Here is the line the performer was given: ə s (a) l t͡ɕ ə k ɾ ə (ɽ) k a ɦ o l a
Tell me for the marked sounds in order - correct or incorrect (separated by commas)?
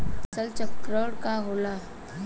incorrect, correct